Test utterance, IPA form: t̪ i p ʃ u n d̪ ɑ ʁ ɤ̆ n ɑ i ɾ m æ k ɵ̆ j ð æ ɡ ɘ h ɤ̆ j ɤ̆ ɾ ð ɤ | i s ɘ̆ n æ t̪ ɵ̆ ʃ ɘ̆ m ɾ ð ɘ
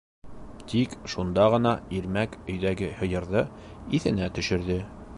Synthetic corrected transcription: t̪ i k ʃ u n d̪ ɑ ʁ ɤ̆ n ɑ i ɾ m æ k ɵ̆ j ð æ ɡ ɘ h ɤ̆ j ɤ̆ ɾ ð ɤ | i θ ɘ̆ n æ t̪ ɵ̆ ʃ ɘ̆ ɾ ð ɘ